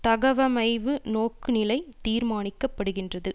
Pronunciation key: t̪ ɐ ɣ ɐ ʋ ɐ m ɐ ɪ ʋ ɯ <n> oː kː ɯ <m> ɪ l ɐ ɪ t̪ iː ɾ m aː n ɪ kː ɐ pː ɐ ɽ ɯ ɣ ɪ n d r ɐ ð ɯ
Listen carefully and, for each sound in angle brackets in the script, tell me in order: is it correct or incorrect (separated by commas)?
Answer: correct, incorrect